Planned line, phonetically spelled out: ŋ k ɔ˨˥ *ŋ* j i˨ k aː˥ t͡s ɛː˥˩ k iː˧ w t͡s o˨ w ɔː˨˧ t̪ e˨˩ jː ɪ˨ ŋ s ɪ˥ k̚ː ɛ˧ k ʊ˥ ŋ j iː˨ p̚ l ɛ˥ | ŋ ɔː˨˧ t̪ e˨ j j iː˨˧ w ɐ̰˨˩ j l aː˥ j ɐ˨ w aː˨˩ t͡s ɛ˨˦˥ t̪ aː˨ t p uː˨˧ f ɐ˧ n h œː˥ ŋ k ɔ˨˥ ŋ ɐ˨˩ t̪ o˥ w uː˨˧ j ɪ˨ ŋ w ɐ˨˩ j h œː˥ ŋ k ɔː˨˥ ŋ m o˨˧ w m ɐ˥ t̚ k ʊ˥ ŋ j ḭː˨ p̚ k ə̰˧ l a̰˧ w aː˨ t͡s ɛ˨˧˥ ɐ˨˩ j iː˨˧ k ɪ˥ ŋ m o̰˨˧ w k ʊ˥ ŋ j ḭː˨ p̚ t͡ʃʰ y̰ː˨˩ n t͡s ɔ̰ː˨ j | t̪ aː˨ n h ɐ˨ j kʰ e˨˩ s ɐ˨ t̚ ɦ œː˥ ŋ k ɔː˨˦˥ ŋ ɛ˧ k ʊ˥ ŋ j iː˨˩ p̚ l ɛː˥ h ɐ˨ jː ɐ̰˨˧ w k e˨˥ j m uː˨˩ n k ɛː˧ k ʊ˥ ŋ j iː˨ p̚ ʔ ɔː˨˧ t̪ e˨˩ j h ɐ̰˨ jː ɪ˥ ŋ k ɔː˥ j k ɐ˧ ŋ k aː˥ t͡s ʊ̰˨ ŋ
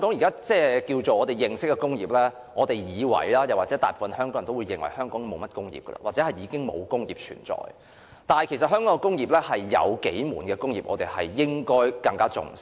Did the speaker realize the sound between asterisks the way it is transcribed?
yes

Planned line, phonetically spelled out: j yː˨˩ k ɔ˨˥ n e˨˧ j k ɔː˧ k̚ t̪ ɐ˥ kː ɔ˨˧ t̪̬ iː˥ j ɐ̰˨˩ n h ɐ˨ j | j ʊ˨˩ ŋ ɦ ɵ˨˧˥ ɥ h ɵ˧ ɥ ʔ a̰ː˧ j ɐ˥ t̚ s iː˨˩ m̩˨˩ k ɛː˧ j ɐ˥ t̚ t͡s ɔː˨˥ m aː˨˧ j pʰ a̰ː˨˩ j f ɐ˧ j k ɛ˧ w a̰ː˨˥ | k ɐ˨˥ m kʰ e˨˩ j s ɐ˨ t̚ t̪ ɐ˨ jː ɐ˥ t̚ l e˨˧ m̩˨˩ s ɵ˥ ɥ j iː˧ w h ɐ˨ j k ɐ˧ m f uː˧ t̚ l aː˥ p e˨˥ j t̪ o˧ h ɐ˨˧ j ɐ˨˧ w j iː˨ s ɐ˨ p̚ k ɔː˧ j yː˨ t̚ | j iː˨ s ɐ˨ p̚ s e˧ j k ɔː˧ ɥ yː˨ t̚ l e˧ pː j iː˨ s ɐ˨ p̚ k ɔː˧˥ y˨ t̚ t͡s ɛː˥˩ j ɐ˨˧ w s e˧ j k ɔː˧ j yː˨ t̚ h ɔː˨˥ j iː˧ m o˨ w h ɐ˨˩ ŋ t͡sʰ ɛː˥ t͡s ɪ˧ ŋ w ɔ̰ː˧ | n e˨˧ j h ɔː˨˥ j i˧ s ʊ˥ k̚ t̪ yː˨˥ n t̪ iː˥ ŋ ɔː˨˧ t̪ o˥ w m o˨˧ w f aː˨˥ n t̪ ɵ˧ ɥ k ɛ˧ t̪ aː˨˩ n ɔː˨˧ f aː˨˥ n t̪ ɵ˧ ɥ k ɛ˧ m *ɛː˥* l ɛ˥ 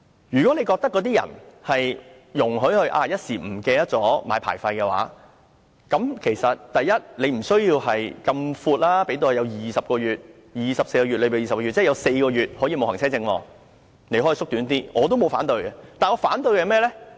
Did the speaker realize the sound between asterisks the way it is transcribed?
yes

